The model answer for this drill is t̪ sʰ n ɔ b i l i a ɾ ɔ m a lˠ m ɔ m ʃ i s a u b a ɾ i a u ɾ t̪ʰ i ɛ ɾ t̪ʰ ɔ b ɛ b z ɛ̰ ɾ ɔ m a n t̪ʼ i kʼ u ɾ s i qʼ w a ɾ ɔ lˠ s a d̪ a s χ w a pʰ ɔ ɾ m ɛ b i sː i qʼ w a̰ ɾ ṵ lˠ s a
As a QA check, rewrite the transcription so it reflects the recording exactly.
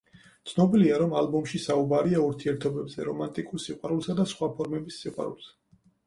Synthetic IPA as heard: t̪ sʰ n ɔ b i l i a ɾ ɔ m a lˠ b ɔ m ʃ i s a u b a ɾ i a u ɾ t̪ʰ i ɛ ɾ t̪ʰ ɔ b ɛ b z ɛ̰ ɾ ɔ m a n t̪ʼ i kʼ u ɾ s i qʼ w a ɾ u lˠ s a d̪ a s χ w a pʰ ɔ ɾ m ɛ b i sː i qʼ w a̰ ɾ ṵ lˠ s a